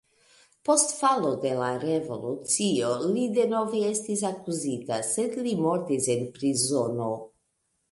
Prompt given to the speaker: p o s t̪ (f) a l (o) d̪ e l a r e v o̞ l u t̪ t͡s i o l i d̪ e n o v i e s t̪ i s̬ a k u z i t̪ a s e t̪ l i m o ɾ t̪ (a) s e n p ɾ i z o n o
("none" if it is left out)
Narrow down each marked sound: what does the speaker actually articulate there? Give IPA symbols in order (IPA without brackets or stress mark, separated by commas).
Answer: f, o, i